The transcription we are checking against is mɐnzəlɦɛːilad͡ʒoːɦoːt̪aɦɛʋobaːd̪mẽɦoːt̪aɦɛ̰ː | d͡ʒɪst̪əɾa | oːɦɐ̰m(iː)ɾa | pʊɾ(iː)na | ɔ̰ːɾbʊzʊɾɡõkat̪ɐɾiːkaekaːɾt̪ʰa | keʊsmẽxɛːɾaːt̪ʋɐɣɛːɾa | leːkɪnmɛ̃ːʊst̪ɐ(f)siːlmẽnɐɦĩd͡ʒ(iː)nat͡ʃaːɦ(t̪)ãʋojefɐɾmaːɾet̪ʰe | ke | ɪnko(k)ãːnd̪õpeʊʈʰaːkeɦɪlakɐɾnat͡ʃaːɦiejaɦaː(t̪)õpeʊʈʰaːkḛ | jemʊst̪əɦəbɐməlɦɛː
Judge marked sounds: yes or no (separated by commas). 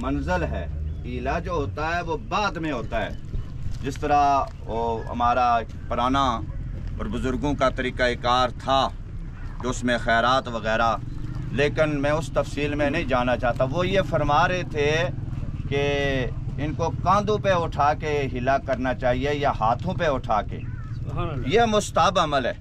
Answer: no, no, yes, no, yes, yes, no